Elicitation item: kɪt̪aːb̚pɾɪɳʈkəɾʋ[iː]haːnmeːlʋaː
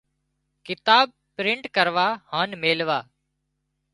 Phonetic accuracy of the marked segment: incorrect: aː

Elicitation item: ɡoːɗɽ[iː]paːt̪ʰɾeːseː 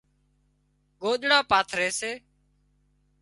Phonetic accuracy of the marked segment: incorrect: aː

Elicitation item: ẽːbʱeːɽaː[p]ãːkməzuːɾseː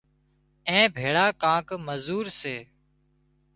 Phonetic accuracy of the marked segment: incorrect: k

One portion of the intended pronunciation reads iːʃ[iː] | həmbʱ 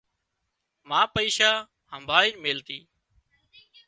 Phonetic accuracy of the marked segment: incorrect: aː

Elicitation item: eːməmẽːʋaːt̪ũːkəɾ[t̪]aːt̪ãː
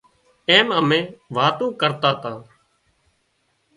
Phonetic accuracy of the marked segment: correct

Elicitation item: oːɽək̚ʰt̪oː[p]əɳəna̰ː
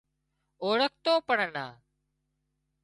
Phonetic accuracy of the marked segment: correct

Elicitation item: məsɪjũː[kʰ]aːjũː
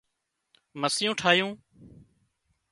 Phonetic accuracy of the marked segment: incorrect: ʈʰ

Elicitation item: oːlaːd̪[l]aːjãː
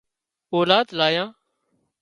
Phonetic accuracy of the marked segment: correct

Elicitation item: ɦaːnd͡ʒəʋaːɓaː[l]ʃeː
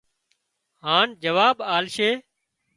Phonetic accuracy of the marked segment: correct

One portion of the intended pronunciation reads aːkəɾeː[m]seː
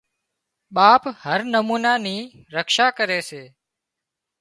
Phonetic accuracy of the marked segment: incorrect: none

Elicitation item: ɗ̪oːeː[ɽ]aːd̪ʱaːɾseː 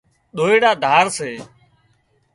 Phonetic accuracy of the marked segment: correct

